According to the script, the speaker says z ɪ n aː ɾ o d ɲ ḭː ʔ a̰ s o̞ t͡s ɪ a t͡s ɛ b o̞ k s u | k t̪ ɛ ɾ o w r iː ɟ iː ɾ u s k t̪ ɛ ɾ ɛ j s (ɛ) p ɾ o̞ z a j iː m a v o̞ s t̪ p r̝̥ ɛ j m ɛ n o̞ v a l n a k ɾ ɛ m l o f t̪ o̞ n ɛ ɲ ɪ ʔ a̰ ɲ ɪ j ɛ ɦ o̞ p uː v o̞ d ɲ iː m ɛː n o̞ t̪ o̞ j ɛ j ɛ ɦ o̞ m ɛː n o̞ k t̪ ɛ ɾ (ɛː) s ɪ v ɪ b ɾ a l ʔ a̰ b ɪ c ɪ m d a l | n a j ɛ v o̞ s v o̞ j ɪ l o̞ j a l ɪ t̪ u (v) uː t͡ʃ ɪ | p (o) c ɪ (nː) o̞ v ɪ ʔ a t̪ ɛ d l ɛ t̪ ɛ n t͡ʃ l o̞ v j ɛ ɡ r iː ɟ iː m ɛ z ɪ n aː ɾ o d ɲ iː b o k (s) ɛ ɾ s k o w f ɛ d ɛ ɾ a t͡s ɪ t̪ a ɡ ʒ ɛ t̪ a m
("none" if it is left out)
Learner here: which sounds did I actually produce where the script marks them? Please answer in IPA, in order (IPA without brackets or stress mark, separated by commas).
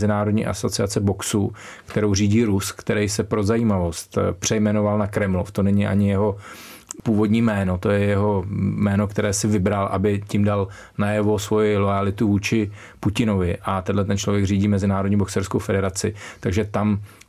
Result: ɛ, ɛː, v, u, n, s